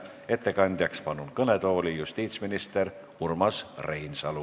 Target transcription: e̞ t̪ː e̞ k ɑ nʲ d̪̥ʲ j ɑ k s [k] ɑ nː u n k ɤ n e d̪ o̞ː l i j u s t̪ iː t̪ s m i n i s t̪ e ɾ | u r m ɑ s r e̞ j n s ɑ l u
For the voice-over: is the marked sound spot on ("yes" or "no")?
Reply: no